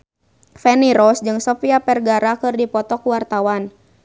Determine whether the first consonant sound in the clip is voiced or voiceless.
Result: voiceless